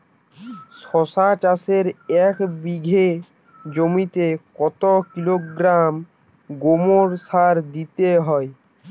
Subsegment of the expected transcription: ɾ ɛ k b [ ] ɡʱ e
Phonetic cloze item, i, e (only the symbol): i